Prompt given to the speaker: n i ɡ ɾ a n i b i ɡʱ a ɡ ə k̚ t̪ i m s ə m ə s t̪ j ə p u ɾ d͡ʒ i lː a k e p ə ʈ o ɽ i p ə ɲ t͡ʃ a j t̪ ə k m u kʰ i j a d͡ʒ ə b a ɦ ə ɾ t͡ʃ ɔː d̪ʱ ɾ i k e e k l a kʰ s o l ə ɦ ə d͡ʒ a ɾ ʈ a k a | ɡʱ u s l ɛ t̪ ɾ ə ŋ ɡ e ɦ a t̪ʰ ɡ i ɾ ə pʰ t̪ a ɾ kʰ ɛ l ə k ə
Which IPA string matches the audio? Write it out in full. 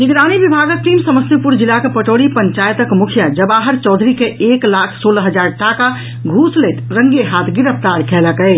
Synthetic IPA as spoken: n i ɡ ɾ a n i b i bʱ a ɡ ə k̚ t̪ i m s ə m ə s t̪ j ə p u ɾ d͡ʒ i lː a k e p ə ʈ o ɽ i p ə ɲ t͡ʃ a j t̪ ə k m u kʰ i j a d͡ʒ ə b a ɦ ə ɾ t͡ʃ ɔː d̪ʱ ɾ i k e e k l a kʰ s o l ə ɦ ə d͡ʒ a ɾ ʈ a k a | ɡʱ u s l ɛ t̪ ɾ ə ŋ ɡ e ɦ a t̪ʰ ɡ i ɾ ə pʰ t̪ a ɾ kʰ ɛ l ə k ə